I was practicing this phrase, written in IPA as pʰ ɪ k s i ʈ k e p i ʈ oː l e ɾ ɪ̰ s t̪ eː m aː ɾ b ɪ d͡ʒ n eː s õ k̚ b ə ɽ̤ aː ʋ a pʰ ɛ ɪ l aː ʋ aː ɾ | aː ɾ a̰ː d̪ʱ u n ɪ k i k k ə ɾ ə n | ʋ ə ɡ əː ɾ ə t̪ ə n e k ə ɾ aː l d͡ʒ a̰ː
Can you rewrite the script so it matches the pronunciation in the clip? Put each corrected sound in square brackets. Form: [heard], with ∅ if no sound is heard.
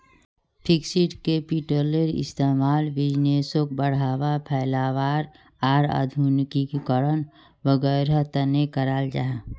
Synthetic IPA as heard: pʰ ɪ k s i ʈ k e p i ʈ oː l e ɾ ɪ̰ s t̪ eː m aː [l] b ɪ d͡ʒ n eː s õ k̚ b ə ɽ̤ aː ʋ a pʰ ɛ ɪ l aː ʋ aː ɾ | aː ɾ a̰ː d̪ʱ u n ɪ k i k k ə ɾ ə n | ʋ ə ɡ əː ɾ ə t̪ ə n e k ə ɾ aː l d͡ʒ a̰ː